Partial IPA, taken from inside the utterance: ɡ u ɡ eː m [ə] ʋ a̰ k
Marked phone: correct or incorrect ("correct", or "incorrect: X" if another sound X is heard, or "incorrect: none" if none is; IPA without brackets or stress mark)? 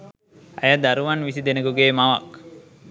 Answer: incorrect: a